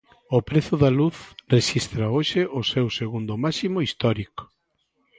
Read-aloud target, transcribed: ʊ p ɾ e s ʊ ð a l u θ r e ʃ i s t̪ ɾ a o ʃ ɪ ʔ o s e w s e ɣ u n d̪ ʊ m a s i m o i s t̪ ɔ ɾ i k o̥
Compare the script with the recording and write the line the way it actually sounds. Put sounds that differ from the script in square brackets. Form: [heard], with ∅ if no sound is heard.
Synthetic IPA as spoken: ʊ p ɾ e [θ] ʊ ð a l u θ r e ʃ i s t̪ ɾ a o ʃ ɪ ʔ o s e w s e ɣ u n d̪ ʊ m a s i m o i s t̪ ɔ ɾ i k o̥